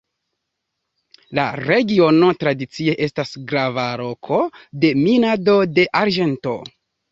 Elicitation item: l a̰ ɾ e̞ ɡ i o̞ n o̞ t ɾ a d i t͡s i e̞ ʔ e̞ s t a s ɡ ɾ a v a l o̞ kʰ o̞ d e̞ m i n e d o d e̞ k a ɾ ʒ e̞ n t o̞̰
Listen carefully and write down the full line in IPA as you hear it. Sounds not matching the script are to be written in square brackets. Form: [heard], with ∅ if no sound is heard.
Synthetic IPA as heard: l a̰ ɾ e̞ ɡ i o̞ n o̞ t ɾ a d i t͡s i e̞ ʔ e̞ s t a s ɡ ɾ a v a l o̞ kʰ o̞ d e̞ m i n [a] d o d e̞ [ʔ] a ɾ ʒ e̞ n t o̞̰